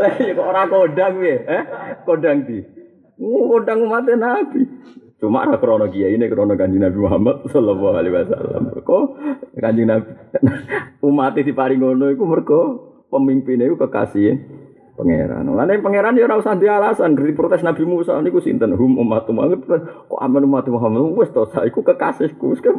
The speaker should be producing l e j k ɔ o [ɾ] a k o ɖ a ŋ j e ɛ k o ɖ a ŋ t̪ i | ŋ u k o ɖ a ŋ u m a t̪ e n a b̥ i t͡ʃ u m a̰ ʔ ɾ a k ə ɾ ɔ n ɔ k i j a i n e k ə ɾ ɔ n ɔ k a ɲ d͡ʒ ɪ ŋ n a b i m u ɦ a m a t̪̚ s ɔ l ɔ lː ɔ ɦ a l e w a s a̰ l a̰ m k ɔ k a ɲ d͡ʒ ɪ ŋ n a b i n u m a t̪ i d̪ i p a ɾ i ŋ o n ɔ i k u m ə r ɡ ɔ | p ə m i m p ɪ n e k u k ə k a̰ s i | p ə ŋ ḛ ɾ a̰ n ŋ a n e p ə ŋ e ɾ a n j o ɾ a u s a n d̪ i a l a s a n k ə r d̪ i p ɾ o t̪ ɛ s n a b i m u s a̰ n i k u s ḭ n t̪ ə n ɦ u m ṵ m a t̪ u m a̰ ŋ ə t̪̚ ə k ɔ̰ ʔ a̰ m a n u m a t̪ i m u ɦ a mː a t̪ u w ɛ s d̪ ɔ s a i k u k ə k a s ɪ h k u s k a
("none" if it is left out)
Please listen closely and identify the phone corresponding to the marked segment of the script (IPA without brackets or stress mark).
ɾ